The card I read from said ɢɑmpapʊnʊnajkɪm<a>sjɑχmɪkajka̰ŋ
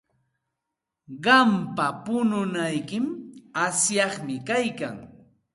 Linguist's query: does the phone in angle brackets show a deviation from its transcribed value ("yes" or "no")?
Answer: no